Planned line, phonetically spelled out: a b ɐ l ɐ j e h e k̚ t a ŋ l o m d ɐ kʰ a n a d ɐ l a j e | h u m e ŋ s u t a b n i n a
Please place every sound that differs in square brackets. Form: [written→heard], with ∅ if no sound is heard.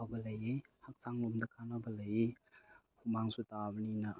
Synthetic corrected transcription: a b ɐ l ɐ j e h [e→a] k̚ [t→s] a ŋ l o m d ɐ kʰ a n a [d→b] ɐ l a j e | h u m [e→a] ŋ s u t a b n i n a